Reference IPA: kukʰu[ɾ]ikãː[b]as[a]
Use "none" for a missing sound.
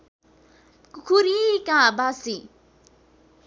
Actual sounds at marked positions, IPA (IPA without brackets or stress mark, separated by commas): ɾ, b, i